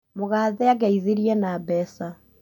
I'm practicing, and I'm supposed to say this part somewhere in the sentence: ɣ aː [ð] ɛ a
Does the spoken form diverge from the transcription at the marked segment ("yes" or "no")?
no